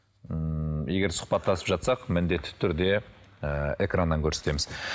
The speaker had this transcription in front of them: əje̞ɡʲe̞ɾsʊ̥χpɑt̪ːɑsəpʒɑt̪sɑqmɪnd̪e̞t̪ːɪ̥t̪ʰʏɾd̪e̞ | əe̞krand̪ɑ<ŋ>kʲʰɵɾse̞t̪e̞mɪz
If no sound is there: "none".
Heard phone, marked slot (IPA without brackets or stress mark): ŋ